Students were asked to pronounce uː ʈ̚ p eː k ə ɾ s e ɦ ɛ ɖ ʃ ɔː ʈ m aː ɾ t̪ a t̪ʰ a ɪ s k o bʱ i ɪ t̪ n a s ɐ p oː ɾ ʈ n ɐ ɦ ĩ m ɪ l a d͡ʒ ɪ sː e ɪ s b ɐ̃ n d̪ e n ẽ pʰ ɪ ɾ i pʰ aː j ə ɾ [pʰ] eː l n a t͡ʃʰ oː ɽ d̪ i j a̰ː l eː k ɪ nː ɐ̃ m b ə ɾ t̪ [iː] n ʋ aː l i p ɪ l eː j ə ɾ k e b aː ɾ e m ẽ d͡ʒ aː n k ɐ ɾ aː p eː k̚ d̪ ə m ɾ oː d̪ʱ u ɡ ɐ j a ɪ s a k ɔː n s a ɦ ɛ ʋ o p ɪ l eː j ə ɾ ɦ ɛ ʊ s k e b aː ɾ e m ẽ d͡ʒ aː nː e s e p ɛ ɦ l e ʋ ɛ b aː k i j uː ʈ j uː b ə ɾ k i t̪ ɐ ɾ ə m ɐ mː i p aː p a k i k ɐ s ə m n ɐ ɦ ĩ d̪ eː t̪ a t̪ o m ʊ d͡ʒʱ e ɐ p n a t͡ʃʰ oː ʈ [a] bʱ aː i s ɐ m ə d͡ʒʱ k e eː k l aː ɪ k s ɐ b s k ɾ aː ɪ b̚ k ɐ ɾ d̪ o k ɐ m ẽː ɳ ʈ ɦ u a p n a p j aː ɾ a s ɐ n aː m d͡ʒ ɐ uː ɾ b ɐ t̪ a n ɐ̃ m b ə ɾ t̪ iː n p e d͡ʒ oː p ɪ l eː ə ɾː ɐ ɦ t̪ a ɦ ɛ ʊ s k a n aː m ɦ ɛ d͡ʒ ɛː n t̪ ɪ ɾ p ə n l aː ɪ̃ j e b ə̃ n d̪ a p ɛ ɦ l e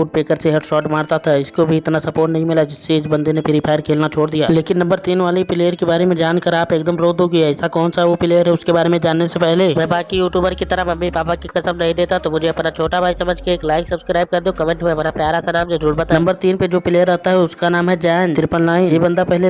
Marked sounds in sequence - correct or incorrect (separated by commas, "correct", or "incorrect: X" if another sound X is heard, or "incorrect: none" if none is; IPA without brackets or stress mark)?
incorrect: kʰ, correct, correct